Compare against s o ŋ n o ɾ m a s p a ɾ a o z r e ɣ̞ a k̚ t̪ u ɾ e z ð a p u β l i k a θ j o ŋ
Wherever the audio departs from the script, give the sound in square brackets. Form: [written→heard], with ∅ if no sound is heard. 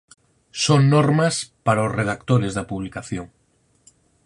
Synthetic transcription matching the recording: s o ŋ n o ɾ m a s p a ɾ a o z r e [ɣ̞→ð̞] a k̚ t̪ [u→o] ɾ e z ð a p u β l i k a θ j o ŋ